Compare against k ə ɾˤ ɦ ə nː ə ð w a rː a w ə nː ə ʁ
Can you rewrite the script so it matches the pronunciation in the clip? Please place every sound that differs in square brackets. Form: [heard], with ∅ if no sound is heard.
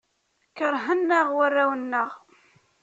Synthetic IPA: k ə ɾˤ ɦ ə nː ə [ʁ] w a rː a w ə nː ə ʁ